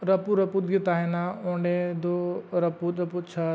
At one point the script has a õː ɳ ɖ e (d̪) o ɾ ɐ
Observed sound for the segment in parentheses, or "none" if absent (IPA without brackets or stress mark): d̪